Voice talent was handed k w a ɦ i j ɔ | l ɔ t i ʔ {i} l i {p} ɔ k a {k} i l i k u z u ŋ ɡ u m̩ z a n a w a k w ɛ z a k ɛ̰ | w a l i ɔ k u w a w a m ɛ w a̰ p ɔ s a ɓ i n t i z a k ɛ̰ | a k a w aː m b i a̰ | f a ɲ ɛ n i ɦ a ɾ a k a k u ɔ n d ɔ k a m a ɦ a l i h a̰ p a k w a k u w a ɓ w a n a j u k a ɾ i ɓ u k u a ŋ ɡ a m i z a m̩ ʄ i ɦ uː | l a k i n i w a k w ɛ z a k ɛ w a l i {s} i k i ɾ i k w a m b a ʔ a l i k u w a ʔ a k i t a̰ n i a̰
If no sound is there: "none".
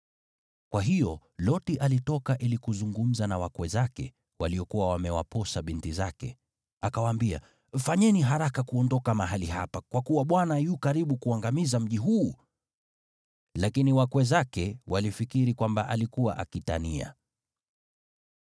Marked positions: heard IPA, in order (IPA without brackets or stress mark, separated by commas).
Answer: a, t, ʔ, f